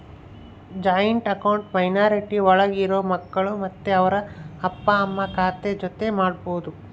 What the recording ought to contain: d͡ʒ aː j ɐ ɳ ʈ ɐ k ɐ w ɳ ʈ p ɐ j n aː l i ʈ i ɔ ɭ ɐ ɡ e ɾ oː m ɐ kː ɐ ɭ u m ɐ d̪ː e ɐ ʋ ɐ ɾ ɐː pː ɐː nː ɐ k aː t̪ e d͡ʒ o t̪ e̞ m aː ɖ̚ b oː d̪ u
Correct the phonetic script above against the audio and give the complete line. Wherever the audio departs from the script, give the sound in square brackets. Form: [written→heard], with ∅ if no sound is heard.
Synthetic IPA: d͡ʒ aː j ɐ ɳ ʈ ɐ k ɐ w ɳ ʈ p ɐ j n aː [l→ɾ] i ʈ i ɔ ɭ ɐ ɡ [e→i] ɾ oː m ɐ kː ɐ ɭ u m ɐ [d̪ː→t̪ː] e ɐ ʋ ɐ ɾ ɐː pː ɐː [nː→mː] ɐ k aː t̪ e d͡ʒ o t̪ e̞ m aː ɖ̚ b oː d̪ u

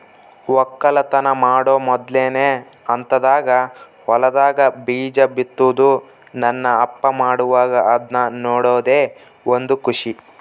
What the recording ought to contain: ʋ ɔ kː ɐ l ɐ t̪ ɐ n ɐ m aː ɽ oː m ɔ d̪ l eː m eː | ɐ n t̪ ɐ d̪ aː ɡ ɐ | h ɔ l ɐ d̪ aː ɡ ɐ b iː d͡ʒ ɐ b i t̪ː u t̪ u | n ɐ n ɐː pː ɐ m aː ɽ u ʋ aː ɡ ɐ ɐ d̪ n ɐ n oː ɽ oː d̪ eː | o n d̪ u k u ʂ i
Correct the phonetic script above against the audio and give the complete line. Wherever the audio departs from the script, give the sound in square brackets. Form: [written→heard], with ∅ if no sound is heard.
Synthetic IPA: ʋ ɔ kː ɐ l ɐ t̪ ɐ n ɐ m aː ɽ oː m ɔ d̪ l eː [m→n] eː | ɐ n t̪ ɐ d̪ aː ɡ ɐ | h ɔ l ɐ d̪ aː ɡ ɐ b iː d͡ʒ ɐ b i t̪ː u [t̪→d̪] u | n ɐ [n→nː] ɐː pː ɐ m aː ɽ u ʋ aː ɡ ɐ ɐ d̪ n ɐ n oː ɽ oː d̪ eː | o n d̪ u k u ʂ i

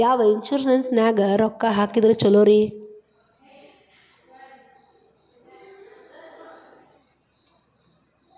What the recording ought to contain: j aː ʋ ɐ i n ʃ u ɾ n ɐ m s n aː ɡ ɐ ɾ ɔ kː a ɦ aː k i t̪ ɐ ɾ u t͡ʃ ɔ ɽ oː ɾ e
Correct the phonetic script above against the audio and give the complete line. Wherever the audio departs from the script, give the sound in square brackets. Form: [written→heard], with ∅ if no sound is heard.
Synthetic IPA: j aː ʋ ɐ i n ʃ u ɾ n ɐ [m→n] s n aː ɡ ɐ ɾ ɔ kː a ɦ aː k i [t̪→d̪] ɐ ɾ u t͡ʃ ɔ [ɽ→l] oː ɾ [e→i]

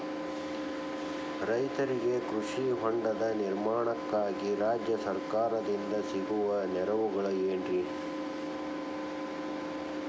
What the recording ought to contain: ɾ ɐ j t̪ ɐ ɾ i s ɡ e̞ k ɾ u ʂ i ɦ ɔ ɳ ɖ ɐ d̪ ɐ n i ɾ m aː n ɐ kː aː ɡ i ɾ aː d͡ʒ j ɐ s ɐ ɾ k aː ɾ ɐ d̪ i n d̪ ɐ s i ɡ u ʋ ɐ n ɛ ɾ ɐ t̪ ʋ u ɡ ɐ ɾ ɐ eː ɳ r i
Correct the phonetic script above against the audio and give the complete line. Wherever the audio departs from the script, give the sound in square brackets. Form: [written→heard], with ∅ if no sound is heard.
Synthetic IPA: ɾ ɐ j t̪ ɐ ɾ i [s→∅] ɡ e̞ k ɾ u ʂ i ɦ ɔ ɳ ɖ ɐ d̪ ɐ n i ɾ m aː [n→ɳ] ɐ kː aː ɡ i ɾ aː d͡ʒ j ɐ s ɐ ɾ k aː ɾ ɐ d̪ i n d̪ ɐ s i ɡ u ʋ ɐ n ɛ ɾ ɐ [t̪→∅] ʋ u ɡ ɐ [ɾ→ɭ] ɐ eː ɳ r i

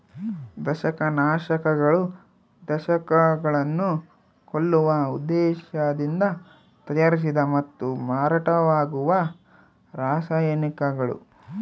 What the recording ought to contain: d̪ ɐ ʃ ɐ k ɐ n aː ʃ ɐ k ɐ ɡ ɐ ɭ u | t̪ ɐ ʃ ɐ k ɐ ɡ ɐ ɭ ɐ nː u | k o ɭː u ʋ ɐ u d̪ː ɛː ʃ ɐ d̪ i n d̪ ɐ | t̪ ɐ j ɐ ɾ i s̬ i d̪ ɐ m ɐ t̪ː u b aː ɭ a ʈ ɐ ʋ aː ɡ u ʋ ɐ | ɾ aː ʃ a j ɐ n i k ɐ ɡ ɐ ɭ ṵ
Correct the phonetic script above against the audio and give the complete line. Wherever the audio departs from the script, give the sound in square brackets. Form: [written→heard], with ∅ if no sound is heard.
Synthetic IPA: d̪ ɐ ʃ ɐ k ɐ n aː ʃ ɐ k ɐ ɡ ɐ ɭ u | [t̪→d̪] ɐ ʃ ɐ k ɐ ɡ ɐ ɭ ɐ nː u | k o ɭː u ʋ ɐ u d̪ː ɛː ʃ ɐ d̪ i n d̪ ɐ | t̪ ɐ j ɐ ɾ i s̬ i d̪ ɐ m ɐ t̪ː u [b→m] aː [ɭ→ɾ] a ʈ ɐ ʋ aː ɡ u ʋ ɐ | ɾ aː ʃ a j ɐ n i k ɐ ɡ ɐ ɭ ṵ

